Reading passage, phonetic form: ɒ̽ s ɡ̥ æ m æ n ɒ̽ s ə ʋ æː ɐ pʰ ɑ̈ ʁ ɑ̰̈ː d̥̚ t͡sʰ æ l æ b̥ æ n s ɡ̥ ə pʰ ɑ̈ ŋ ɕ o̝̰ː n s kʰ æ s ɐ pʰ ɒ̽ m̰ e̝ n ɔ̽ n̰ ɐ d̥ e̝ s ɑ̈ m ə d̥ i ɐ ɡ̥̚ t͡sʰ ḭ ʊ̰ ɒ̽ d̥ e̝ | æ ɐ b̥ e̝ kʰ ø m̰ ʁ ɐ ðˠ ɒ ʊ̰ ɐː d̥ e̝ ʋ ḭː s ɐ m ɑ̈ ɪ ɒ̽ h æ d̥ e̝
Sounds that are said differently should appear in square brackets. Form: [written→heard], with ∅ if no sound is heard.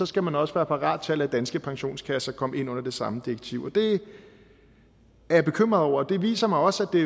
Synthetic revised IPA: ɒ̽ s ɡ̥ æ m æ n ɒ̽ s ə ʋ æː ɐ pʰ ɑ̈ ʁ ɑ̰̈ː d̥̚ t͡sʰ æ l æ [b̥→d̥] æ n s ɡ̥ ə pʰ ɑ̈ ŋ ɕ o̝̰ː n s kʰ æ s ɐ [pʰ→kʰ] ɒ̽ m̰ e̝ n ɔ̽ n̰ ɐ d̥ e̝ s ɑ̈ m ə d̥ i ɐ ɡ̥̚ t͡sʰ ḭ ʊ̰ ɒ̽ d̥ e̝ | æ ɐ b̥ e̝ kʰ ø m̰ ʁ ɐ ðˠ ɒ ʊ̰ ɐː d̥ e̝ ʋ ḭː s ɐ m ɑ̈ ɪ ɒ̽ [h→s] æ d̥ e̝